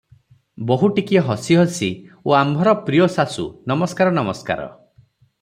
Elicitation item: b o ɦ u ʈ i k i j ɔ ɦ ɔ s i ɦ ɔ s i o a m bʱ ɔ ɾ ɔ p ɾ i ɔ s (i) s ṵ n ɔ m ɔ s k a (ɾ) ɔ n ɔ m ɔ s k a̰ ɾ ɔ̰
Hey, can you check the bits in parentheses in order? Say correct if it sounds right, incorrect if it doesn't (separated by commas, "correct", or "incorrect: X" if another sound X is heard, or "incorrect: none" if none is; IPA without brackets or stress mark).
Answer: incorrect: a, correct